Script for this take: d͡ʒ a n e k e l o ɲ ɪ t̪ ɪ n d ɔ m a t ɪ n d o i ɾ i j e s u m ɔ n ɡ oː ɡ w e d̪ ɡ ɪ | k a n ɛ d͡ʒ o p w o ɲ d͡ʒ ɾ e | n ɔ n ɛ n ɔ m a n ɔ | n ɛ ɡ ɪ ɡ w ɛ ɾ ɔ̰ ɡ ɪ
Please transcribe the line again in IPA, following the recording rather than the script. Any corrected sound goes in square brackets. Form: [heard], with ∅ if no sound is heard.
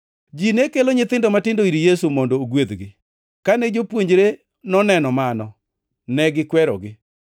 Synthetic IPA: d͡ʒ [i] n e k e l o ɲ ɪ t̪ ɪ n d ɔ m a t ɪ n d o i ɾ i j e s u m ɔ n [d] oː ɡ w e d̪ ɡ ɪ | k a n ɛ d͡ʒ o p w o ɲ d͡ʒ ɾ e | n ɔ n ɛ n ɔ m a n ɔ | n ɛ ɡ ɪ [k] w ɛ ɾ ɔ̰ ɡ ɪ